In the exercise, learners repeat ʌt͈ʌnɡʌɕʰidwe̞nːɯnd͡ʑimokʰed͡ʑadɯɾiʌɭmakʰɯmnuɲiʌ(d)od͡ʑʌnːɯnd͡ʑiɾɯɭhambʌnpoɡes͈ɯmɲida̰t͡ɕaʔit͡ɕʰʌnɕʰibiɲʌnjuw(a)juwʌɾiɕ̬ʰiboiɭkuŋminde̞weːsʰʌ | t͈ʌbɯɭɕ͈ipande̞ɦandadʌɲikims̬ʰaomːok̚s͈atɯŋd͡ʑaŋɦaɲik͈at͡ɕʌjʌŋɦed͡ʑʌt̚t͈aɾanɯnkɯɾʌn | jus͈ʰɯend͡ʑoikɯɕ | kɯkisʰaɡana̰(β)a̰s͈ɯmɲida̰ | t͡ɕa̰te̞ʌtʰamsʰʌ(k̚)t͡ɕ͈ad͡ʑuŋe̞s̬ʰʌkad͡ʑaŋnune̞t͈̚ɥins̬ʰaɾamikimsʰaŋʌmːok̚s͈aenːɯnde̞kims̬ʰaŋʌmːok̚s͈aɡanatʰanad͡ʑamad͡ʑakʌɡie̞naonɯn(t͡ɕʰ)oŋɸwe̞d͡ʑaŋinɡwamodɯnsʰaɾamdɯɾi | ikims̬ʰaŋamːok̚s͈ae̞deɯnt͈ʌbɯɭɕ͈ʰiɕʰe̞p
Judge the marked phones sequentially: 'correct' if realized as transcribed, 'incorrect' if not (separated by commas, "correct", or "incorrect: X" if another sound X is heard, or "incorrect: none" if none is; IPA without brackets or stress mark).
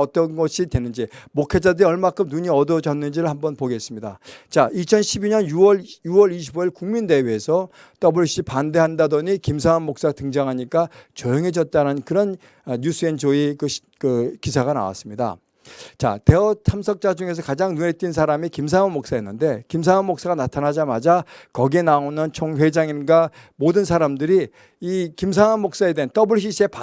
correct, incorrect: ʌ, incorrect: w, correct, correct